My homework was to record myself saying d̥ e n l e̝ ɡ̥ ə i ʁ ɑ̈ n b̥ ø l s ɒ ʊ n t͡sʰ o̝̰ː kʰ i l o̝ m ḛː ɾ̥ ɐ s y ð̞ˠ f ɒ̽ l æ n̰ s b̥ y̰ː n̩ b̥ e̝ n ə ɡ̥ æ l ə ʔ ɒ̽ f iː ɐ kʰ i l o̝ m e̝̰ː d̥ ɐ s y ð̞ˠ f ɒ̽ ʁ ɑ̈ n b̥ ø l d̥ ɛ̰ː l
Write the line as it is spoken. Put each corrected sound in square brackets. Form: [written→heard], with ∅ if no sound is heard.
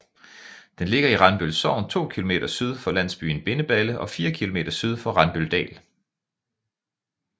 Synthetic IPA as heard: d̥ e n l e̝ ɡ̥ [ə→ɐ] i ʁ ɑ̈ n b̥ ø l s ɒ ʊ n t͡sʰ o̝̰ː kʰ i l o̝ m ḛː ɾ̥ ɐ s y ð̞ˠ f ɒ̽ l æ n̰ s b̥ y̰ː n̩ b̥ e̝ n ə [ɡ̥→b̥] æ l ə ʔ ɒ̽ f iː ɐ kʰ i l o̝ m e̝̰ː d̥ ɐ s y ð̞ˠ f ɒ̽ ʁ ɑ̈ n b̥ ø l d̥ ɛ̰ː l